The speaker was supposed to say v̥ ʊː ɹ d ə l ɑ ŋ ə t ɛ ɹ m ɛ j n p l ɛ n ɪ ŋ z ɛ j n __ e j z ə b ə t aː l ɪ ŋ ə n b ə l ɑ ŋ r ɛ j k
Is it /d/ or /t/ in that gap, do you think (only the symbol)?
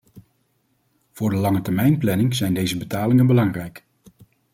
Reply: d